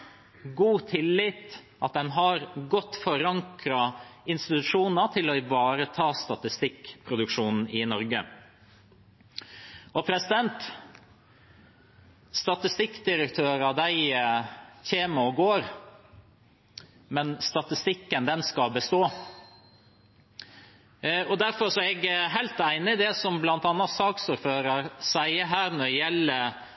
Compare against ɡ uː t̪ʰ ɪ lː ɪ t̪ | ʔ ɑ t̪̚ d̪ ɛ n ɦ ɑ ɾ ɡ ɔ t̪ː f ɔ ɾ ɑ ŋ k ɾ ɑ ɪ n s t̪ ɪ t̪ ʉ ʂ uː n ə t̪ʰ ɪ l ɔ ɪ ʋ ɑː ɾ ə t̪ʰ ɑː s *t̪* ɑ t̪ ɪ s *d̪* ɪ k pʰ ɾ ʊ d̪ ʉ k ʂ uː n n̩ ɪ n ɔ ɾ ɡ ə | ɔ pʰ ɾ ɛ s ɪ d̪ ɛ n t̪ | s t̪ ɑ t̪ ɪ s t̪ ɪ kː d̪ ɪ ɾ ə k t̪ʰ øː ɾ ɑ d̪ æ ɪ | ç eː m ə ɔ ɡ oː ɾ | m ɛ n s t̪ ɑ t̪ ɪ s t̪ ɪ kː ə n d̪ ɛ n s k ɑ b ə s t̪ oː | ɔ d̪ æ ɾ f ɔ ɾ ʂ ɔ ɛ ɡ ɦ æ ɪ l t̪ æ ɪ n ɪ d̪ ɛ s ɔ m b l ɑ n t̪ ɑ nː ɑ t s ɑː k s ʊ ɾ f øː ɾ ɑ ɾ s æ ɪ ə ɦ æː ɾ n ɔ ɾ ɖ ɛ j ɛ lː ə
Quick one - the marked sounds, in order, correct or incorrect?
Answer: correct, incorrect

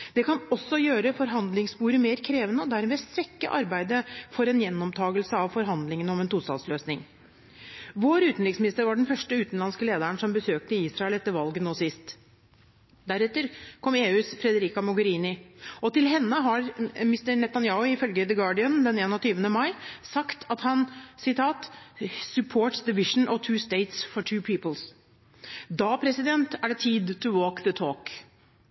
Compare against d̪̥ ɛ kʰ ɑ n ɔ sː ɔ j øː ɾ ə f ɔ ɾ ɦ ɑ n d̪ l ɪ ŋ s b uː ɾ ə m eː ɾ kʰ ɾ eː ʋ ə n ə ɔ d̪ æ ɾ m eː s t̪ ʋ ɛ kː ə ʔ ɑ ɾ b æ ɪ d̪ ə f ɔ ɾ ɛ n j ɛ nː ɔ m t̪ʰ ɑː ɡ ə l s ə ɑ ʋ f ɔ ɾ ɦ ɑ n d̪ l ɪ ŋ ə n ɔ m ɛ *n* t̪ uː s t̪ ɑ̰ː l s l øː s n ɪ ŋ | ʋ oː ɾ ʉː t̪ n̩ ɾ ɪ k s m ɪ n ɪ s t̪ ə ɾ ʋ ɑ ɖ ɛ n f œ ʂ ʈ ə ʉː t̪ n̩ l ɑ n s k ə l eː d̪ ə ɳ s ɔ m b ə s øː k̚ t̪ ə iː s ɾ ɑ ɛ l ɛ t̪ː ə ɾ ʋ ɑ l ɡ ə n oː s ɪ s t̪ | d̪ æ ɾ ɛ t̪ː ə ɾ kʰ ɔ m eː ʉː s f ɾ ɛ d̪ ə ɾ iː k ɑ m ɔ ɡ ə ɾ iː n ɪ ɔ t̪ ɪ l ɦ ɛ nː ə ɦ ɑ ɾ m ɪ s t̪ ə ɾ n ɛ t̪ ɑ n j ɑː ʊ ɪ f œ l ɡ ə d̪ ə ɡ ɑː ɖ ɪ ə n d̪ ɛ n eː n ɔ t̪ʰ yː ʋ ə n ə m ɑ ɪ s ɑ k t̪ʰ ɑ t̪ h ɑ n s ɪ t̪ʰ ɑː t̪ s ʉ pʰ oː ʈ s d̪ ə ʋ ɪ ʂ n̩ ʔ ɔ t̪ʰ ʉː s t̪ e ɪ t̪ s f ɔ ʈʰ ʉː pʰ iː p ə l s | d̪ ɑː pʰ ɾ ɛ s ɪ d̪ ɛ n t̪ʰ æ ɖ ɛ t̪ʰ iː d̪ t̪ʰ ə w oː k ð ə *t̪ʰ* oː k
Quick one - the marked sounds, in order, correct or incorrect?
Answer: correct, correct

